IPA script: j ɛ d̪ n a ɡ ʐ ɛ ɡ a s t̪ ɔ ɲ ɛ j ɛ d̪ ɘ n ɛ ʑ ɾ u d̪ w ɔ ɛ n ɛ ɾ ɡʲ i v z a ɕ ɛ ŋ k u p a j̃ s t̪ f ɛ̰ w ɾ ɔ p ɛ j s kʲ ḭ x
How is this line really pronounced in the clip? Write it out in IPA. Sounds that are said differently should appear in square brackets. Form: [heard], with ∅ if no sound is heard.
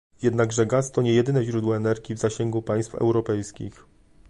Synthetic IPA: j ɛ d̪ n a ɡ ʐ ɛ ɡ a s t̪ ɔ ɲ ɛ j ɛ d̪ ɘ n ɛ ʑ ɾ u d̪ w ɔ ɛ n ɛ ɾ ɡʲ i v z a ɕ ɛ ŋ [ɡ] u p a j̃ s t̪ f ɛ̰ w ɾ ɔ p ɛ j s kʲ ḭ x

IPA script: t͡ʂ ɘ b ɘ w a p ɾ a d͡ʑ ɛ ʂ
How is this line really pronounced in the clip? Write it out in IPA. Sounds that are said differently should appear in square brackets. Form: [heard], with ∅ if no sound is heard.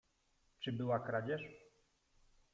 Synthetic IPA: t͡ʂ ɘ b ɘ w a [k] ɾ a d͡ʑ ɛ ʂ

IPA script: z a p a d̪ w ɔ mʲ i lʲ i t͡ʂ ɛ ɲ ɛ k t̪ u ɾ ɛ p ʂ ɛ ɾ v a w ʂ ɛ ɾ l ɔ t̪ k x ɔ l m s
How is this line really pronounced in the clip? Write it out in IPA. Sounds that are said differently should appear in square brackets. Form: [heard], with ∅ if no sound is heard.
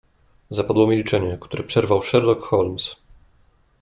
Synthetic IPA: z a p a d̪ w ɔ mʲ i lʲ i t͡ʂ ɛ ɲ ɛ k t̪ u ɾ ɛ p ʂ ɛ ɾ v a w ʂ ɛ ɾ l ɔ [∅] k x ɔ l m s

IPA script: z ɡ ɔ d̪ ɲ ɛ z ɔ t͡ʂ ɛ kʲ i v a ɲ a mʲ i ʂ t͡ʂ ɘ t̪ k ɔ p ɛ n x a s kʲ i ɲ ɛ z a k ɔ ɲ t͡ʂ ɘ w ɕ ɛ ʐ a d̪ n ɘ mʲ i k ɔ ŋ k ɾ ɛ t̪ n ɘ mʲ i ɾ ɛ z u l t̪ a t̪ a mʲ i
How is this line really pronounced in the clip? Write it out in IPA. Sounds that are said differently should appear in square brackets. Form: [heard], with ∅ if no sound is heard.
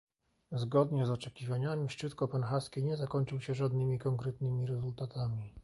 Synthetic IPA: z ɡ ɔ d̪ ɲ ɛ z ɔ t͡ʂ ɛ kʲ i v a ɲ a mʲ i ʂ t͡ʂ ɘ t̪ k ɔ p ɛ n x a s kʲ i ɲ ɛ z a k ɔ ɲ t͡ʂ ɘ w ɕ ɛ ʐ a d̪ n ɘ mʲ i k ɔ ŋ k ɾ ɛ t̪ n ɘ mʲ i ɾ ɛ z u l t̪ a t̪ a mʲ i

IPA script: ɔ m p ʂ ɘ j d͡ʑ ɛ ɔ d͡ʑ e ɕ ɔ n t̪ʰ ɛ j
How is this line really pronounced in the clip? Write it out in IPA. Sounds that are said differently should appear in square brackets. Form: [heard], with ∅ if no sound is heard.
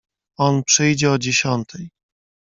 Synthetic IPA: ɔ [n] p ʂ ɘ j d͡ʑ ɛ ɔ d͡ʑ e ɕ ɔ n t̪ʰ ɛ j

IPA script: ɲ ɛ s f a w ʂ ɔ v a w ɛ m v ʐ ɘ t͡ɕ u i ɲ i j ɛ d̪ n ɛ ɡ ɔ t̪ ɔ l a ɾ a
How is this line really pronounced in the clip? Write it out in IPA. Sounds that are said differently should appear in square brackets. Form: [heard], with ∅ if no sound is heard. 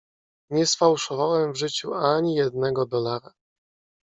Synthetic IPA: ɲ ɛ s f a w ʂ ɔ v a w ɛ m v ʐ ɘ t͡ɕ u [a] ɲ i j ɛ d̪ n ɛ ɡ ɔ [d̪] ɔ l a ɾ a

